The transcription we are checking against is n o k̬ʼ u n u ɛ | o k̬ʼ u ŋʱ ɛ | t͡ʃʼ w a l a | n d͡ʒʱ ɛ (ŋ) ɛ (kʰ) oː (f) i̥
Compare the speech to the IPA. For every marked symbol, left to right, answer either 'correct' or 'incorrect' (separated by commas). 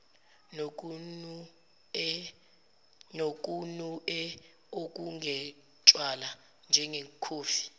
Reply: correct, correct, correct